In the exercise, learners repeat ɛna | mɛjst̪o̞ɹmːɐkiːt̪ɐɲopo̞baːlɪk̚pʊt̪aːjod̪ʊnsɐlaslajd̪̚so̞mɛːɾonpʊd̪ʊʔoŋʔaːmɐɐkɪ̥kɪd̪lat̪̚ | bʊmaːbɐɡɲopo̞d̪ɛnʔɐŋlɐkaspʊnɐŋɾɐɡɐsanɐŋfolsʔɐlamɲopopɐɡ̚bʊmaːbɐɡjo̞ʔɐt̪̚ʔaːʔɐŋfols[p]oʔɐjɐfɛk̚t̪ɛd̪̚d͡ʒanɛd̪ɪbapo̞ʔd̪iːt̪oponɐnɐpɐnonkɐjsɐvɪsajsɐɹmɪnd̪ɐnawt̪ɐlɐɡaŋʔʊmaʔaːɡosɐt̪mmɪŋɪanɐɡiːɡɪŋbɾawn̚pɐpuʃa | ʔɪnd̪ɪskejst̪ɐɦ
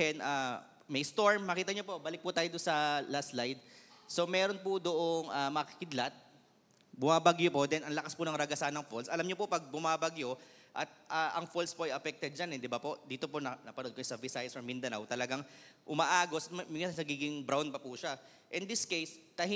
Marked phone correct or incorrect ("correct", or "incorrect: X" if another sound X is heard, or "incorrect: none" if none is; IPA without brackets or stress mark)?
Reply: correct